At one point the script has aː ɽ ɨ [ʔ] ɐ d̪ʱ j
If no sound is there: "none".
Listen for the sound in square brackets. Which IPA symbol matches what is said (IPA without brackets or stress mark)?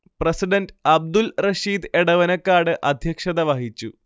ʔ